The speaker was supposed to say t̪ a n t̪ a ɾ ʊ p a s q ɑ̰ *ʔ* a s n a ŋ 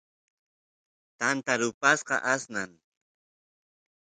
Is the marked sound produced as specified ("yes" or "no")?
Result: yes